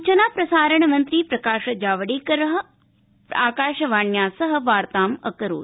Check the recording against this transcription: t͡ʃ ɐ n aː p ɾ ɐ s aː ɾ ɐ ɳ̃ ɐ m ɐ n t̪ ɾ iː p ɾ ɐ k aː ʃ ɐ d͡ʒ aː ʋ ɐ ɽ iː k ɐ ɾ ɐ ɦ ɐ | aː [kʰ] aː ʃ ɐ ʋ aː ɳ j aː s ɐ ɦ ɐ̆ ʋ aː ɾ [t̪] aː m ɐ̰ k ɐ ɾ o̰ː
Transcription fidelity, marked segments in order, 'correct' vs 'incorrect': incorrect, correct

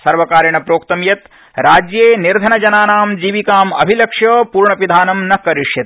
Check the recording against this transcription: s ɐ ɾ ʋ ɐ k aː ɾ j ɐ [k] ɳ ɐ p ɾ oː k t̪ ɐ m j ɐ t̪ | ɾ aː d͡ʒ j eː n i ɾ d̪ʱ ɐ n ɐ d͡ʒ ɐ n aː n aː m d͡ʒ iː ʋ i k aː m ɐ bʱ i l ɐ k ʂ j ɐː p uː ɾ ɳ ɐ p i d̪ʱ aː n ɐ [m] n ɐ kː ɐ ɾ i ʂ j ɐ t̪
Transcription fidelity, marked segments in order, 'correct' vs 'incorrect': incorrect, correct

